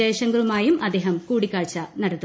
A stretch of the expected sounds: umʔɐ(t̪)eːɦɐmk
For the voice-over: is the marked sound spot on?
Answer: no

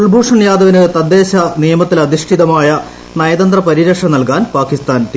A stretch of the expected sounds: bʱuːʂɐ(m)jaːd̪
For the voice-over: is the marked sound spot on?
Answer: no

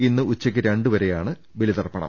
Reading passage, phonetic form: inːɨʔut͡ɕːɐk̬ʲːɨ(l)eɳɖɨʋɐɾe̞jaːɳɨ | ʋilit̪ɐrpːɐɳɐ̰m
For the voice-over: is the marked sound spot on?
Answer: no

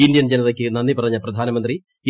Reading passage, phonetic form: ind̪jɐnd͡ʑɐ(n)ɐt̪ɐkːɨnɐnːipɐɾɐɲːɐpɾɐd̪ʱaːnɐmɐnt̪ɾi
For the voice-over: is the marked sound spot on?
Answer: yes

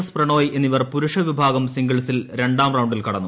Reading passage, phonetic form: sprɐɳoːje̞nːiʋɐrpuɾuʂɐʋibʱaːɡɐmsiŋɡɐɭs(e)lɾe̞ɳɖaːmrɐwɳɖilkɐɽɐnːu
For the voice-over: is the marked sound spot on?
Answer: no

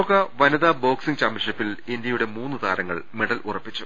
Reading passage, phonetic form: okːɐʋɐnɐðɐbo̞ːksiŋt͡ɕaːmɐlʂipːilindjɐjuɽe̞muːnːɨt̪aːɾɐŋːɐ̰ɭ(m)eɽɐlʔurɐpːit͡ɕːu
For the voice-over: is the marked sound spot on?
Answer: yes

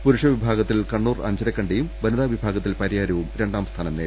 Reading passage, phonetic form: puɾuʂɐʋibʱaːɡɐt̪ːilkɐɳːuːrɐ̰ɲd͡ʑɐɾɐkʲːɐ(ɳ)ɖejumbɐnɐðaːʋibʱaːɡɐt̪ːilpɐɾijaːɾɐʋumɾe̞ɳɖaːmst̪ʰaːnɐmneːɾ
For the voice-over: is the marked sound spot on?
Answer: yes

